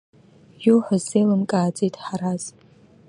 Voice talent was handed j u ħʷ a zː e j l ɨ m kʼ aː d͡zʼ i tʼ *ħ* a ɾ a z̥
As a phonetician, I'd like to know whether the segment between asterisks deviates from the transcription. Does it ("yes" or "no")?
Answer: no